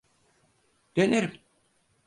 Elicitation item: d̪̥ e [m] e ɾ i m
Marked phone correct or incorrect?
incorrect